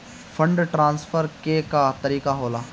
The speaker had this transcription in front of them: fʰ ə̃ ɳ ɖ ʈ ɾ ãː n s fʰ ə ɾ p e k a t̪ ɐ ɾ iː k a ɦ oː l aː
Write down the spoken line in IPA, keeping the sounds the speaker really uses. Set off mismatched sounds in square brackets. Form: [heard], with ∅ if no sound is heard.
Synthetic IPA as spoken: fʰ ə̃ ɳ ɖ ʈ ɾ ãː n s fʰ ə ɾ [k] e k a t̪ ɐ ɾ iː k a ɦ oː l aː